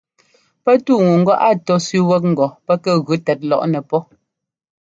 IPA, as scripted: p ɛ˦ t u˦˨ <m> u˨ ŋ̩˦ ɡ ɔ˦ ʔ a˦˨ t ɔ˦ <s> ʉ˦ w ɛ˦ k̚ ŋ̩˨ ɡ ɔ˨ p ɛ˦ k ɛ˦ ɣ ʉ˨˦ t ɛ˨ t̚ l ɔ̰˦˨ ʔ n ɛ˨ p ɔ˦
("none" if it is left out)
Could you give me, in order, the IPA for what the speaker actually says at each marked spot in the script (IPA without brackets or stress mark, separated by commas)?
ŋ, s